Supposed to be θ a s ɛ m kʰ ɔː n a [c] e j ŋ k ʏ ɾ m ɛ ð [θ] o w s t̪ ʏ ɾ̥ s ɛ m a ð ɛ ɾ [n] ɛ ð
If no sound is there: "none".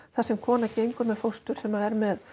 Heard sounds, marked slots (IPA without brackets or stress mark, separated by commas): c, f, m